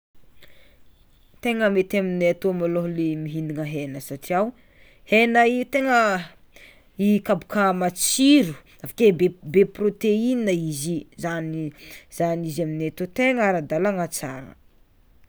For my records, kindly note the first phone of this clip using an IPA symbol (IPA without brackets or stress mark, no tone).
t̪